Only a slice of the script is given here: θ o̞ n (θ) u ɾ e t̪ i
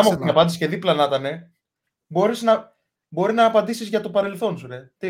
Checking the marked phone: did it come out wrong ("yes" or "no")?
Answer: yes